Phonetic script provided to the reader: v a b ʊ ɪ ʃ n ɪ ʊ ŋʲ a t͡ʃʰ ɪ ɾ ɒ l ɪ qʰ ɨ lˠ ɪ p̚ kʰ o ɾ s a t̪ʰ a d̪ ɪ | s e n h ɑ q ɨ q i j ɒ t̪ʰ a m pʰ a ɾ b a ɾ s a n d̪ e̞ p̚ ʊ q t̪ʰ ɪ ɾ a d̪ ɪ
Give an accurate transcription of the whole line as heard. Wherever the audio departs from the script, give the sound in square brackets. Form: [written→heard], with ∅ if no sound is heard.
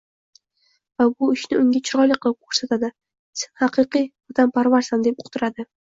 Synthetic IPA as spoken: v a b ʊ ɪ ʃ n ɪ ʊ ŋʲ a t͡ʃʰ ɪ ɾ ɒ l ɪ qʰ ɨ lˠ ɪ p̚ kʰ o ɾ s a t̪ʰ a d̪ ɪ | s e n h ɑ q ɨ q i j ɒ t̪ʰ a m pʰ a ɾ [b→v] a ɾ s a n d̪ e̞ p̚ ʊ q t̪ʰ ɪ ɾ a d̪ ɪ

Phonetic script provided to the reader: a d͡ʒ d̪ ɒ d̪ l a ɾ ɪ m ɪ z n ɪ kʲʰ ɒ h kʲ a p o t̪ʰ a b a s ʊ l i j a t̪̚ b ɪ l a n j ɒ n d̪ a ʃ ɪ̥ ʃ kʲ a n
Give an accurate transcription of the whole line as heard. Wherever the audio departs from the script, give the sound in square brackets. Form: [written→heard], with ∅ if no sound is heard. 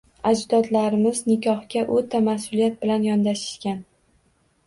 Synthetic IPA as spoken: a d͡ʒ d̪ ɒ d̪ l a ɾ ɪ m ɪ z n ɪ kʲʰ ɒ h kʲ a [p→ʔ] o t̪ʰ a [b→m] a s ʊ l i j a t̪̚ b ɪ l a n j ɒ n d̪ a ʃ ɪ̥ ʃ kʲ a n

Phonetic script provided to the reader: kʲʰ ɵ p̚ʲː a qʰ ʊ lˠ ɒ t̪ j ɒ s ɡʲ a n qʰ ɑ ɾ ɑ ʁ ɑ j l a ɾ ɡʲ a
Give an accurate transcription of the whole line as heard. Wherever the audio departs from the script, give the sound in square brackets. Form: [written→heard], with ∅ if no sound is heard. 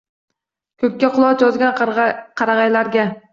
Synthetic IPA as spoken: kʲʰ ɵ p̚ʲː a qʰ ʊ lˠ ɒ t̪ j ɒ [s→z] ɡʲ a n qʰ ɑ ɾ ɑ ʁ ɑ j l a ɾ ɡʲ a

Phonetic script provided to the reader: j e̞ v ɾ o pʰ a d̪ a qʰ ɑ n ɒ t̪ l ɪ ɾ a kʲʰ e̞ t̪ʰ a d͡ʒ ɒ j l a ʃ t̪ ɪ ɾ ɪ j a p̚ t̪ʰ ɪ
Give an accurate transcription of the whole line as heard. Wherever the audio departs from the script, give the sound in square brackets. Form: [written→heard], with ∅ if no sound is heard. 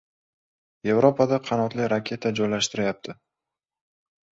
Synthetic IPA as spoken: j e̞ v ɾ o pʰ a d̪ a qʰ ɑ n ɒ t̪ l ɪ ɾ a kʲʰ e̞ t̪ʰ a d͡ʒ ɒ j l a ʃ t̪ ɪ ɾ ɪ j a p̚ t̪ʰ ɪ

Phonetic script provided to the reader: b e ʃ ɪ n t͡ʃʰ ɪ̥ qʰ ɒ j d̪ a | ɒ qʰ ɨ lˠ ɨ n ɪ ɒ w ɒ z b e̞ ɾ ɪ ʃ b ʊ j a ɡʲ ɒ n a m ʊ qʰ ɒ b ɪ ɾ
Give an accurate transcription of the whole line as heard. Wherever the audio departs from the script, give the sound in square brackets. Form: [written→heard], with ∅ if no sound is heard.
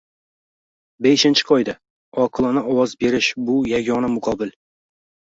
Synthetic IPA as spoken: b e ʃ ɪ n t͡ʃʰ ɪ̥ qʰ ɒ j d̪ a | ɒ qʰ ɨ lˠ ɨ n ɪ ɒ w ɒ z b e̞ ɾ ɪ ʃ b ʊ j a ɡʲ ɒ n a m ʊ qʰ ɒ b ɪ [ɾ→l]

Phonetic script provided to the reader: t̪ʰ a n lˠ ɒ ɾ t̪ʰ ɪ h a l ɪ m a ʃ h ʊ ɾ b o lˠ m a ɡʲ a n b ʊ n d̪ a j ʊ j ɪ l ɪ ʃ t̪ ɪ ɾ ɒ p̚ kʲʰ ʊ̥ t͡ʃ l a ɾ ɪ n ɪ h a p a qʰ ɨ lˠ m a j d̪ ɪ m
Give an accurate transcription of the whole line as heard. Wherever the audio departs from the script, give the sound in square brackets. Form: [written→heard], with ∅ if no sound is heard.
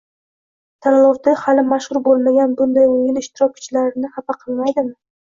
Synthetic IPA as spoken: t̪ʰ a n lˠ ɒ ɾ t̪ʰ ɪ h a l ɪ m a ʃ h ʊ ɾ b o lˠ m a ɡʲ a n b ʊ n d̪ a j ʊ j ɪ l ɪ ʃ t̪ ɪ ɾ ɒ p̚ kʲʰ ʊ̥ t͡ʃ l a ɾ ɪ n ɪ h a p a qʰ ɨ lˠ m a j d̪ ɪ m

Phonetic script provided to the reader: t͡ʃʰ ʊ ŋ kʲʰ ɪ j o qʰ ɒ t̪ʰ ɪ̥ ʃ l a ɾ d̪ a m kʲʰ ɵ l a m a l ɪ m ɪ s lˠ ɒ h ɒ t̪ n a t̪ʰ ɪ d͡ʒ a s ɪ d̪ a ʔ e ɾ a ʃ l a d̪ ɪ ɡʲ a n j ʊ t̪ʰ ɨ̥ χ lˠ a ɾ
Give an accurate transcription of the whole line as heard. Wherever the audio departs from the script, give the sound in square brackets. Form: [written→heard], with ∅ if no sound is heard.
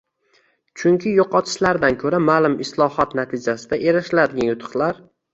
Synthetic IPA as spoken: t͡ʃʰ ʊ ŋ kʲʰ ɪ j o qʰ ɒ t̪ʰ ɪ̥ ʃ l a ɾ d̪ a [m→n] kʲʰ ɵ [l→ɾ] a m a l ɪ m ɪ s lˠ ɒ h ɒ t̪ n a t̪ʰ ɪ d͡ʒ a s ɪ d̪ a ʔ e ɾ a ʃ l a d̪ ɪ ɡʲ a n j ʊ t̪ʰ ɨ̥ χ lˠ a ɾ

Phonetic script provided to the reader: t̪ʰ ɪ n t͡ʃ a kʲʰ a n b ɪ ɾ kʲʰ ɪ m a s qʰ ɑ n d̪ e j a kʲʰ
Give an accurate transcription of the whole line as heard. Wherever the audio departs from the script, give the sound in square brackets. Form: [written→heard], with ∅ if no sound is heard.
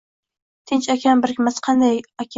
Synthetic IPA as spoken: t̪ʰ ɪ n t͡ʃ a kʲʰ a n b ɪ ɾ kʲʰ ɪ m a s qʰ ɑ n d̪ [e→a] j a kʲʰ

